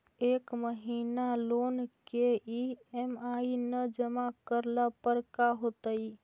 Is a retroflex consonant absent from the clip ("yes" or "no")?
yes